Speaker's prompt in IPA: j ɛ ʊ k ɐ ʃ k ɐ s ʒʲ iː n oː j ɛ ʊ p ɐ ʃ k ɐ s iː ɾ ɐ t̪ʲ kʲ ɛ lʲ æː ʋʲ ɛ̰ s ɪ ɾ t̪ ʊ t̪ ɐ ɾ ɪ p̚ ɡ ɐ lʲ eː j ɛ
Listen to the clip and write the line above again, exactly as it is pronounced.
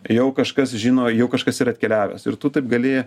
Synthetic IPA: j ɛ ʊ k ɐ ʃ k ɐ s ʒʲ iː n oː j ɛ ʊ k ɐ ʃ k ɐ s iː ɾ ɐ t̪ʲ kʲ ɛ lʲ æː ʋʲ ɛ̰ s ɪ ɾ t̪ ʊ t̪ ɐ ɪ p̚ ɡ ɐ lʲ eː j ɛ